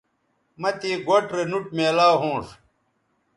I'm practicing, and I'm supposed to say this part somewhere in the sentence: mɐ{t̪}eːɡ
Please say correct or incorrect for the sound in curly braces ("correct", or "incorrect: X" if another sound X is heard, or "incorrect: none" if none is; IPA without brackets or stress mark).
correct